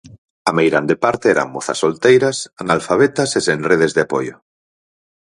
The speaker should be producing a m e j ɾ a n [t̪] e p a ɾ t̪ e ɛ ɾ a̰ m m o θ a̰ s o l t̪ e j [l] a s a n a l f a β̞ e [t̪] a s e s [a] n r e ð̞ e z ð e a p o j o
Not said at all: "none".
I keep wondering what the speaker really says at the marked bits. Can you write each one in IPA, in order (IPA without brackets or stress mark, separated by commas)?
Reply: d̪, ɾ, t̪, e